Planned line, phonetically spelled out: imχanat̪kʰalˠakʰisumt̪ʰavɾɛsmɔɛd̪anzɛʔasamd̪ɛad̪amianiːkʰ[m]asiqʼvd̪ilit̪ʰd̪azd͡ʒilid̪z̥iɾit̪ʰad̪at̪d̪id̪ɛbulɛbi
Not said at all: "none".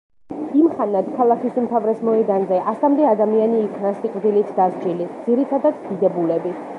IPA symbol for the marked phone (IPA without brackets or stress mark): n